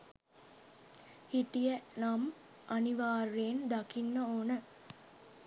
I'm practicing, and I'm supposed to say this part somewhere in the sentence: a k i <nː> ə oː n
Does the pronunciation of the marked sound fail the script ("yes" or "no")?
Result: no